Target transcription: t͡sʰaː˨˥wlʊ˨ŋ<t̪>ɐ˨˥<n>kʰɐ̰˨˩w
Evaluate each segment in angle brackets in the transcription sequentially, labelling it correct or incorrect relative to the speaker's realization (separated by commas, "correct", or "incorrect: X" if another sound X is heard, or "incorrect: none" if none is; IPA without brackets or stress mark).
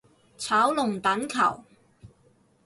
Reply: correct, correct